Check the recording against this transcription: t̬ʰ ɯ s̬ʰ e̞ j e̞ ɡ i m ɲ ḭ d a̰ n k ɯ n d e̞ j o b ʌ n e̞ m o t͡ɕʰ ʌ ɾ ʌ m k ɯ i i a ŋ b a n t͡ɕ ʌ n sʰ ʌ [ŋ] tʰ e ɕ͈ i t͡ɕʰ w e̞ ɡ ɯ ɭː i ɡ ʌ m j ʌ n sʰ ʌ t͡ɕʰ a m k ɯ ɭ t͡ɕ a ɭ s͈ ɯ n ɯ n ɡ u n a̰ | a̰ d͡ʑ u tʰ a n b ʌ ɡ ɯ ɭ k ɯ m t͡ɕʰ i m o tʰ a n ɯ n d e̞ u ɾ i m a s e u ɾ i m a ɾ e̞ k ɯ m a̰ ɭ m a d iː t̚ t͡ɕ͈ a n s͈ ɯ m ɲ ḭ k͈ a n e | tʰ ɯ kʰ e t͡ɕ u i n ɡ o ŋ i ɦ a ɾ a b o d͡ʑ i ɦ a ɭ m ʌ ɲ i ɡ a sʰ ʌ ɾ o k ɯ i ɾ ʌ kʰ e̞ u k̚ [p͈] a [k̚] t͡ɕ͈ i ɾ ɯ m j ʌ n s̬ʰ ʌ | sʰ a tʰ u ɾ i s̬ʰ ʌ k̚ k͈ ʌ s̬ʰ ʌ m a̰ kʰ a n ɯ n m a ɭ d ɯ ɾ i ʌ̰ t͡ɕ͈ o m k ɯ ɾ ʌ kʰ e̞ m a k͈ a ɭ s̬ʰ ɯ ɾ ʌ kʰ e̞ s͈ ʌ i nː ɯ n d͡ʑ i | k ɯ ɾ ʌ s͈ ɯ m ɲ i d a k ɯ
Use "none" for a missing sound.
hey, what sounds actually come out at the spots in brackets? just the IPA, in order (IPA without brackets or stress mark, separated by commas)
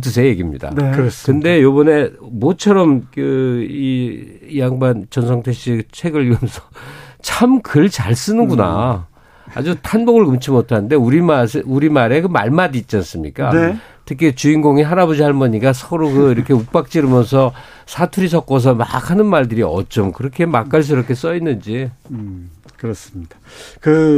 ŋ, p͈, k̚